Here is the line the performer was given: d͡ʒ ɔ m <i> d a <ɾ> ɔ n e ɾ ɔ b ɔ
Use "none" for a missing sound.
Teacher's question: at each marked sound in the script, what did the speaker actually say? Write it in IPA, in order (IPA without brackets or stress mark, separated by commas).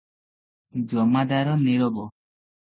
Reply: a, ɾ